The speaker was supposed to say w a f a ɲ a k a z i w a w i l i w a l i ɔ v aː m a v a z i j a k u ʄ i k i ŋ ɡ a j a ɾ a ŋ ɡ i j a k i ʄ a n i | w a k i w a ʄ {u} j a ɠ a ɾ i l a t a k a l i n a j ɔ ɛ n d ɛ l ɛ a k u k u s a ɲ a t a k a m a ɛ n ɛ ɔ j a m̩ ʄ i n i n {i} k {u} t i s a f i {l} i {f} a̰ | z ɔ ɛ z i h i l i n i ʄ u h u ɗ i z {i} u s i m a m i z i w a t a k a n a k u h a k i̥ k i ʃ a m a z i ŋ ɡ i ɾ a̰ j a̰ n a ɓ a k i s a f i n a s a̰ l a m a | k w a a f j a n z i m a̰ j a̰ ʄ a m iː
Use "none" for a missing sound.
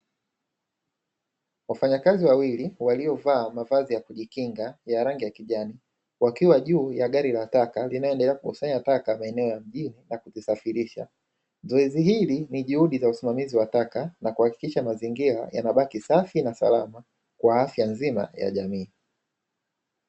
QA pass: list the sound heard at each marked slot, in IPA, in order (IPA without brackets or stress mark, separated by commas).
uː, a, u, ɾ, ʃ, a